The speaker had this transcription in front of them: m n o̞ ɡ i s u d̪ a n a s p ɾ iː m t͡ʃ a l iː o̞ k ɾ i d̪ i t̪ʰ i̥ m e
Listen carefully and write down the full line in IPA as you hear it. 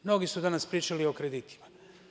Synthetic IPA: m n o̞ ɡ i s u d̪ a n a s p ɾ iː t͡ʃ a l i o̞ k ɾ e d̪ i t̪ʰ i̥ m a